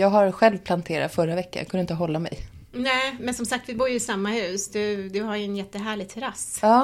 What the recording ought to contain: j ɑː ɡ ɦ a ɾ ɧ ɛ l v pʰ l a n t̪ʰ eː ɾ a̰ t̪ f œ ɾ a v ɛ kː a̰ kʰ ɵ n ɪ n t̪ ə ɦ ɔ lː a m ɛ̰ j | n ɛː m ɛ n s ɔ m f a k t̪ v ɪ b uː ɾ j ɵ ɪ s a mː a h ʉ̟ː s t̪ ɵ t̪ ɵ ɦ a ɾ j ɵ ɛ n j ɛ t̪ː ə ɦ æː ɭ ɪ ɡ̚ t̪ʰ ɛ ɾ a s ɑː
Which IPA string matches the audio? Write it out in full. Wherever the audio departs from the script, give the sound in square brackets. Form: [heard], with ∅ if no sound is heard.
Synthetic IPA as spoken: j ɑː ɡ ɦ a ɾ ɧ ɛ l v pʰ l a n t̪ʰ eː ɾ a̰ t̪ f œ ɾ a v ɛ kː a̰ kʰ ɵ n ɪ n t̪ ə ɦ ɔ lː a m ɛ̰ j | n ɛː m ɛ n s ɔ m [s] a k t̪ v ɪ b uː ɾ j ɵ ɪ s a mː a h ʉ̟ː s [d̪] ɵ [d̪] ɵ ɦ a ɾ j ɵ ɛ n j ɛ t̪ː ə ɦ æː ɭ ɪ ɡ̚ t̪ʰ ɛ ɾ a s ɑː